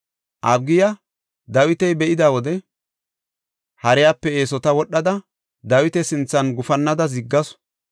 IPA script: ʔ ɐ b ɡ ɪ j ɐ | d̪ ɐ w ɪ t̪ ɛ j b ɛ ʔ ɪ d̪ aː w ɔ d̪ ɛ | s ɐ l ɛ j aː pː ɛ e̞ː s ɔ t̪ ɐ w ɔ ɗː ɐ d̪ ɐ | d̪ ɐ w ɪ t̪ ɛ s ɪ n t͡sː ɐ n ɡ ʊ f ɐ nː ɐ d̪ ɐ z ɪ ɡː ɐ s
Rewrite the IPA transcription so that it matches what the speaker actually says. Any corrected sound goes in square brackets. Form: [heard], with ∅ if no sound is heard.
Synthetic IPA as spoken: ʔ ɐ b ɡ ɪ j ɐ | d̪ ɐ w ɪ t̪ ɛ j b ɛ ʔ ɪ d̪ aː w ɔ d̪ ɛ | [h] ɐ [ɾ] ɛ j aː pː ɛ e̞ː s ɔ t̪ ɐ w ɔ ɗː ɐ d̪ ɐ | d̪ ɐ w ɪ t̪ ɛ s ɪ n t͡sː ɐ n ɡ ʊ f ɐ nː ɐ d̪ ɐ z ɪ ɡː ɐ s